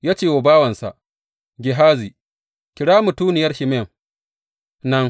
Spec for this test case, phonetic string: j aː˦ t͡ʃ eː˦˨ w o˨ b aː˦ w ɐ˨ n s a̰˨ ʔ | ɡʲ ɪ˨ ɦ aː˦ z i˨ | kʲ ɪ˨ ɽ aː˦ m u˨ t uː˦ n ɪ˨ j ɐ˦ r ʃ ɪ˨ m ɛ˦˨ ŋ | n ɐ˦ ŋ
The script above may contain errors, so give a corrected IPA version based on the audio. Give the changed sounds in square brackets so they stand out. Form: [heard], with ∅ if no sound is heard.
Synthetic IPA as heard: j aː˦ t͡ʃ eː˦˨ w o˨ b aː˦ w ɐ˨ n s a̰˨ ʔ | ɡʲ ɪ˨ ɦ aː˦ z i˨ | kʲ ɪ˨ ɽ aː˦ m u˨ t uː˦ n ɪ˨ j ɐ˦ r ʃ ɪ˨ m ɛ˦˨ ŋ | n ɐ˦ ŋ